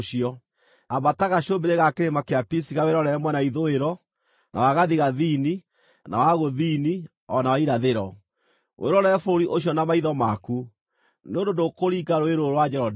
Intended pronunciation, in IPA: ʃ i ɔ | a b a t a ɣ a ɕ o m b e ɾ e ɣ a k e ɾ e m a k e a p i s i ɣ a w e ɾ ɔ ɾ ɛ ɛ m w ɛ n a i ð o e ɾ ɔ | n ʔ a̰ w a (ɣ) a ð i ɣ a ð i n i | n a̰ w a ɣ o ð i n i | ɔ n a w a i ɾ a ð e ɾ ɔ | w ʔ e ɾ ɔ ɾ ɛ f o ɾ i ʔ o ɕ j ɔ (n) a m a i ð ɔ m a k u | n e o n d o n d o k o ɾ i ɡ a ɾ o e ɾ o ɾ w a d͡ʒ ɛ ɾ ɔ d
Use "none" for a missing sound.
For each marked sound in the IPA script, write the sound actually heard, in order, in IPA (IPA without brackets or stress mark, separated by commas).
ɣ, n